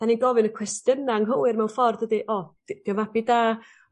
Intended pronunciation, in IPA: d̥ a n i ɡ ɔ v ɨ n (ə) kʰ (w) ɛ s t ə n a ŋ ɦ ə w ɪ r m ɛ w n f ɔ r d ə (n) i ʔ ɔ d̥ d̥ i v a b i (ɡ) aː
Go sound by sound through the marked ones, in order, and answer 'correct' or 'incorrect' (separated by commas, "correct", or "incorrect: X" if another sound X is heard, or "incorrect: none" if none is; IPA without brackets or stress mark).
correct, correct, incorrect: d, incorrect: d